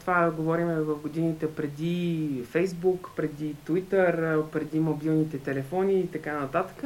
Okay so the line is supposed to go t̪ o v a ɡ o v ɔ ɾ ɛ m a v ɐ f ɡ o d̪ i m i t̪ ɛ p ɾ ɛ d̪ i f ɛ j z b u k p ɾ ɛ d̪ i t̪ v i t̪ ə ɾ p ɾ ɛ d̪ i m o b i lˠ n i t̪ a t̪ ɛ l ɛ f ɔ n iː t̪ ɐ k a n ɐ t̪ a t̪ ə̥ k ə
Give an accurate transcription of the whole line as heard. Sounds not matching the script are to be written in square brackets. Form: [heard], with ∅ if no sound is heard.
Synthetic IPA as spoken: t̪ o v a ɡ o v ɔ ɾ [i] m [ɛ] v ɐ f ɡ o d̪ i [n] i t̪ ɛ p ɾ ɛ d̪ i f ɛ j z b u k p ɾ ɛ d̪ i t̪ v i t̪ ə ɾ p ɾ ɛ d̪ i m o b i lˠ n i t̪ [ɛ] t̪ ɛ l ɛ f ɔ n iː t̪ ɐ k a n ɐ t̪ a t̪ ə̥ k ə